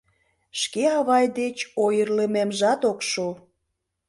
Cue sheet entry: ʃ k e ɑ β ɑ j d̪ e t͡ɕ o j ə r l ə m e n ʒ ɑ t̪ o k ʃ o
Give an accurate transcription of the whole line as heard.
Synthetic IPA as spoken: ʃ k e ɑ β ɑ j d̪ e t͡ɕ o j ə r l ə m e m ʒ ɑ t̪ o k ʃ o